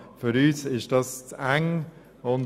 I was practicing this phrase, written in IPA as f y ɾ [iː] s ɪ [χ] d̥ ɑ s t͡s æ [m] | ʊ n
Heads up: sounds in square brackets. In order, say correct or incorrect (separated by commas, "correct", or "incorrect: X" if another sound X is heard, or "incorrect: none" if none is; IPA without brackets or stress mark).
incorrect: yː, incorrect: ʃ, incorrect: ŋ